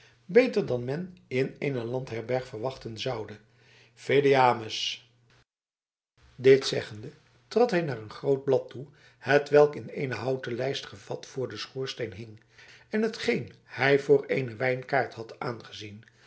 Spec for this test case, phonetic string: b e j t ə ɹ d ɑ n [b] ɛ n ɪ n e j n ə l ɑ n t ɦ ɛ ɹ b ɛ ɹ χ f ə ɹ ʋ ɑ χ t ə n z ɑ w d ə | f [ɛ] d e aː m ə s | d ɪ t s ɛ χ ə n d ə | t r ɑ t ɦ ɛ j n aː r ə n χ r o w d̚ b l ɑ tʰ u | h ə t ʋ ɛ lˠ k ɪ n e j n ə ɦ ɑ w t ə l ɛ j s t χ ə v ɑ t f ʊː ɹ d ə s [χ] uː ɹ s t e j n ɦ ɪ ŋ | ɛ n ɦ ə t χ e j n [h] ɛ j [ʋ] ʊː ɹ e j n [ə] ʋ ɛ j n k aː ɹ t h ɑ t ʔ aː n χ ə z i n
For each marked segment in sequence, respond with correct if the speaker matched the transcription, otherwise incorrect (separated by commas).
incorrect, incorrect, correct, correct, incorrect, correct